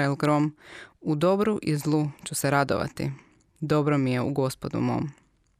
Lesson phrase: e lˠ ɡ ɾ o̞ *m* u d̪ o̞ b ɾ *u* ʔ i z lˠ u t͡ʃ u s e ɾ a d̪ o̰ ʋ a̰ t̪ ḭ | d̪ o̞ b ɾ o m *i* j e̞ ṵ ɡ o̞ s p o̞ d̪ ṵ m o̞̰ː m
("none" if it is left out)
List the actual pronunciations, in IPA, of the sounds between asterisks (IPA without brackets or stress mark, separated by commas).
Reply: m, u, i